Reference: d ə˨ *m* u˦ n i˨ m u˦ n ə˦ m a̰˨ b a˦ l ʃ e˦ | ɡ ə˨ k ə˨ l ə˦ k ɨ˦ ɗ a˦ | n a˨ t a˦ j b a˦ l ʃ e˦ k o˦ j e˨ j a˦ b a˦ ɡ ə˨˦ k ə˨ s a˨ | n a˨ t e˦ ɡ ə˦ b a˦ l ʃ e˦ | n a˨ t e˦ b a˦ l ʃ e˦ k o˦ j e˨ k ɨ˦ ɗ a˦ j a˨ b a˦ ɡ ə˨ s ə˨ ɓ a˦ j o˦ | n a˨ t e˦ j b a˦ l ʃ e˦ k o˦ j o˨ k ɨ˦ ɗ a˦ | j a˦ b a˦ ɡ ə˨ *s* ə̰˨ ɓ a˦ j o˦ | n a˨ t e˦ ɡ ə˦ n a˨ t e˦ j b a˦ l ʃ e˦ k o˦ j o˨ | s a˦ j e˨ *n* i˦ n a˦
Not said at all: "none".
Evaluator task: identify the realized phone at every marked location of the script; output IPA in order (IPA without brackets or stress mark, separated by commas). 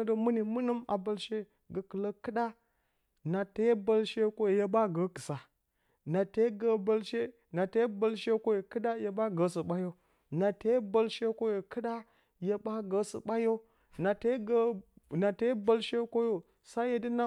m, s, d